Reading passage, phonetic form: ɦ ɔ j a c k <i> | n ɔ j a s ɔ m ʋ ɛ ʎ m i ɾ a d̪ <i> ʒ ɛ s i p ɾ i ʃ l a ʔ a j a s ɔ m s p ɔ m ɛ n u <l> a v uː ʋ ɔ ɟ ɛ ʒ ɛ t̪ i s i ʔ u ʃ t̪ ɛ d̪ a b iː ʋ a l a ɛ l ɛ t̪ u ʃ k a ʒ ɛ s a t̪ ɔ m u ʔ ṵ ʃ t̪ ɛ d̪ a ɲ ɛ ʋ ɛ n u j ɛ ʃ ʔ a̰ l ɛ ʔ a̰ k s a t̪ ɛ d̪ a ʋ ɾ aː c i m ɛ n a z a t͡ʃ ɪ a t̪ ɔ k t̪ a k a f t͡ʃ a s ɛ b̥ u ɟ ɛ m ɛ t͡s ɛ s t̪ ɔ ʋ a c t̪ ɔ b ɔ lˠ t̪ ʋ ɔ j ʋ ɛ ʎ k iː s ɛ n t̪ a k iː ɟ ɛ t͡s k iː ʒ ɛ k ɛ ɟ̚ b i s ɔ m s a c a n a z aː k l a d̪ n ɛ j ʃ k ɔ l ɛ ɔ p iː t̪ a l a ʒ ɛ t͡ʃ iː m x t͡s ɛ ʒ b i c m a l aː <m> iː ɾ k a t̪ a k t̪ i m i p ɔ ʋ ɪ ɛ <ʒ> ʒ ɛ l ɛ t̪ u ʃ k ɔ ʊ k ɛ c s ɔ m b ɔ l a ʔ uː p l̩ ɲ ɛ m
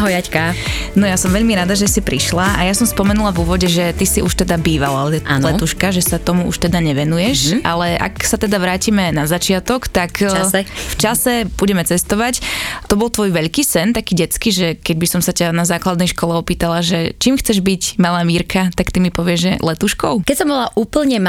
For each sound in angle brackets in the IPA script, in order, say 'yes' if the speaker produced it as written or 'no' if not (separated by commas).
no, no, yes, yes, yes